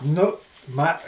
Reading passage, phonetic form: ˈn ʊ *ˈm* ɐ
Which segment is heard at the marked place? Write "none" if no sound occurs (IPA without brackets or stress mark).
m